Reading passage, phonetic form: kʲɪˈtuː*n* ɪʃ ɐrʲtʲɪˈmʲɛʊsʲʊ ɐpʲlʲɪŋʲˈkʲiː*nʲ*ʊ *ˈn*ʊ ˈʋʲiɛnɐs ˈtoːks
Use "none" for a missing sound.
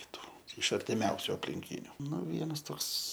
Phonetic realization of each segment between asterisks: none, nʲ, n

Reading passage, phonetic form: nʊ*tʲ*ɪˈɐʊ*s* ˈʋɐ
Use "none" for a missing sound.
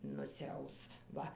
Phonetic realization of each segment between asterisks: sʲ, s

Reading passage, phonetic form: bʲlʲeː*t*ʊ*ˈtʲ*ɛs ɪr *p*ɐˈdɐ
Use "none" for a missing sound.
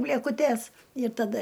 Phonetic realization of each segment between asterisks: k, tʲ, t

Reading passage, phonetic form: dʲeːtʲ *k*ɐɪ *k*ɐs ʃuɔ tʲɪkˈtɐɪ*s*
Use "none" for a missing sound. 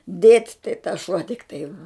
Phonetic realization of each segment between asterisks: t, t, none

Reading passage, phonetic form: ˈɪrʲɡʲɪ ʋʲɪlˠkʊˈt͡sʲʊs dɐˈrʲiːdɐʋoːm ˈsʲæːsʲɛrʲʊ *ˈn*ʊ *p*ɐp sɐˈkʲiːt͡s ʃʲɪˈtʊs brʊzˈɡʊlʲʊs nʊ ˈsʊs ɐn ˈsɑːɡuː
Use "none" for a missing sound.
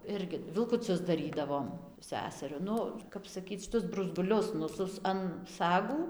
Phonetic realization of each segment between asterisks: n, k

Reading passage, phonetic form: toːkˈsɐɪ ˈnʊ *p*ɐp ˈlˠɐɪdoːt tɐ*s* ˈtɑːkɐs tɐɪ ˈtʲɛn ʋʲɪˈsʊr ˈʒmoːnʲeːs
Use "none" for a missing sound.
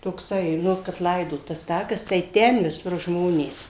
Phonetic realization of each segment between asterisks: k, s

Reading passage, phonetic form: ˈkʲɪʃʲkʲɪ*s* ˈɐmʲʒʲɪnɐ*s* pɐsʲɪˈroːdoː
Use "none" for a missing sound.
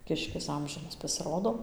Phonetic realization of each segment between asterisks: s, s

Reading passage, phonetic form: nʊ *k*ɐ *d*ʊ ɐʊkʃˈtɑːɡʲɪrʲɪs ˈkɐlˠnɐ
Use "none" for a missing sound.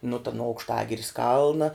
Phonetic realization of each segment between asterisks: t, n

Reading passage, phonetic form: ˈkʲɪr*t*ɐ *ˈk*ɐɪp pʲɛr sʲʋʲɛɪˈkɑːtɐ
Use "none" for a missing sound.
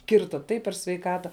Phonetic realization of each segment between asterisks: t, t

